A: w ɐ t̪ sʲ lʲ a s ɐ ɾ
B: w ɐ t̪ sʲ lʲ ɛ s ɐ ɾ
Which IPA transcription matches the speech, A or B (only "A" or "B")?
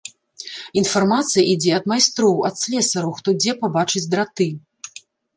B